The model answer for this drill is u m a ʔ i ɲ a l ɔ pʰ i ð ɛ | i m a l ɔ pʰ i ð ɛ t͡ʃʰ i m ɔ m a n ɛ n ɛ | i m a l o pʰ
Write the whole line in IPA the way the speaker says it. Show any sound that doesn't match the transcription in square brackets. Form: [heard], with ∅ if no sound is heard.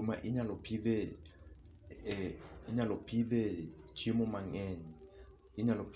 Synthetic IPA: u m a ʔ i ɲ a l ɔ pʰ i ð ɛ | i [ɲ] a l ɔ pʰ i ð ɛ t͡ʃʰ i m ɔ m a [ŋ] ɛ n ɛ | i [ɲ] a l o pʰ